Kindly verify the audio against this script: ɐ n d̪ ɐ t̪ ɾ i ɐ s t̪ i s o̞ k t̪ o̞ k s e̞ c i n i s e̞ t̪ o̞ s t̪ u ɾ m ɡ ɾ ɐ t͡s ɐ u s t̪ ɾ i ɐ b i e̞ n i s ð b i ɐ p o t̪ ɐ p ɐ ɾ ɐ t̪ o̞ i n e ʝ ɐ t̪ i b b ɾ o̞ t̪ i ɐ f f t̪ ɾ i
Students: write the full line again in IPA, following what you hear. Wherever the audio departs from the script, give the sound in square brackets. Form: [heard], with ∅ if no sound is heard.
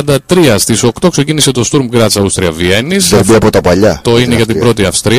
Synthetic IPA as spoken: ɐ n d̪ ɐ t̪ ɾ i ɐ s t̪ i s o̞ k t̪ o̞ k s e̞ c i n i s e̞ t̪ o̞ s t̪ u ɾ m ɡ ɾ ɐ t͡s ɐ u s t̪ ɾ i ɐ [v] i e̞ n i s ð b i ɐ p o t̪ ɐ p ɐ [ʎ] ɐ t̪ o̞ i n e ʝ ɐ t̪ i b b ɾ o̞ t̪ i ɐ f [s] t̪ ɾ i